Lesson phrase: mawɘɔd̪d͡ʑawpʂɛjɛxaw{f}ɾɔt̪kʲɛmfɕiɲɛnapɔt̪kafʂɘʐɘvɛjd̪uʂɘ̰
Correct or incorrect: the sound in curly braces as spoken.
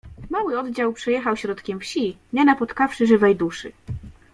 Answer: incorrect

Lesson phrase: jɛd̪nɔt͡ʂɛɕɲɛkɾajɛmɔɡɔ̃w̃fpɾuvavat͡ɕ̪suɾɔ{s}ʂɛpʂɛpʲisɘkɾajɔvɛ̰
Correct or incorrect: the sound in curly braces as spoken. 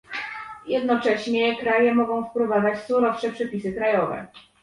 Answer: incorrect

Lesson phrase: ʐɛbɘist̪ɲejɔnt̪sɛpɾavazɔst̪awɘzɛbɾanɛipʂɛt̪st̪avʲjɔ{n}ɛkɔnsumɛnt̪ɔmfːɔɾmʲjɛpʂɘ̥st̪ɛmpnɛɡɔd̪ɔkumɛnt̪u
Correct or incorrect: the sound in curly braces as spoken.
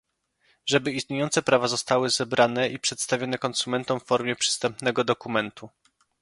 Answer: correct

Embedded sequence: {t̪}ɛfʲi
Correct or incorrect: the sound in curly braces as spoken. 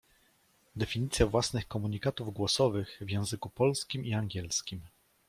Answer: incorrect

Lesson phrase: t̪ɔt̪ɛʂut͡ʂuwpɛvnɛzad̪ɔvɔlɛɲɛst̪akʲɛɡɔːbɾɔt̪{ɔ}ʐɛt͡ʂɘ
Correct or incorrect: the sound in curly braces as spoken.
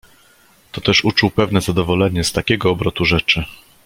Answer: incorrect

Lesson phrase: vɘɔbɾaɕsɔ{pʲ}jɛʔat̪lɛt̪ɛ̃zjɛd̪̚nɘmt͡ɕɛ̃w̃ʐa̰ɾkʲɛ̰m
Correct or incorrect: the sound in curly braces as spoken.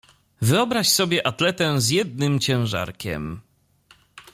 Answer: incorrect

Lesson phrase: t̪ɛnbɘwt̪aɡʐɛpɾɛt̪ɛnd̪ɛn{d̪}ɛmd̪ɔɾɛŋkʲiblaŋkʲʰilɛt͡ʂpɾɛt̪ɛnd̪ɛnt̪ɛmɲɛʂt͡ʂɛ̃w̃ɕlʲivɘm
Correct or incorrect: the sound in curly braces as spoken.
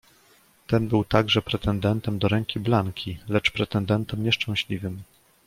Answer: incorrect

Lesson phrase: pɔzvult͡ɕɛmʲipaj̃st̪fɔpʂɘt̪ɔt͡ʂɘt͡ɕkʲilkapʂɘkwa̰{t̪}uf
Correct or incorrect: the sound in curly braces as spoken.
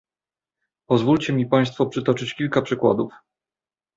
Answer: incorrect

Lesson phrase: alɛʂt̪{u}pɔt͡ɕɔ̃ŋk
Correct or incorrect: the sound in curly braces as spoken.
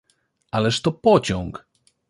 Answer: incorrect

